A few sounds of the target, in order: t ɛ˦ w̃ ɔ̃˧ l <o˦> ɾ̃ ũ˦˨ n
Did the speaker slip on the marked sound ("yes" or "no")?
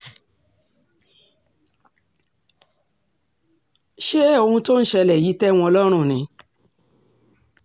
yes